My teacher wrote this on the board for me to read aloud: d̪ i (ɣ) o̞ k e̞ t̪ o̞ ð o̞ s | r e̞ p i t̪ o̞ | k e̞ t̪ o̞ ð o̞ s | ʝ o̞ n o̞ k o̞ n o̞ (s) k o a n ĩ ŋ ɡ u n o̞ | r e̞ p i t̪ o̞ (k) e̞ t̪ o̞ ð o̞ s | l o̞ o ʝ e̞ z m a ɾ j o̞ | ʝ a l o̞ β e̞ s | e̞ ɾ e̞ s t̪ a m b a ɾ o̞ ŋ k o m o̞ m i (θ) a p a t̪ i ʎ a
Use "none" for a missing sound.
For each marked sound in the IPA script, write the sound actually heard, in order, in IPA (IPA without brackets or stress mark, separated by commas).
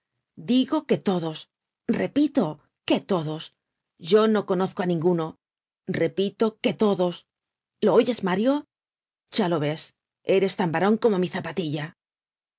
ɣ, θ, k, θ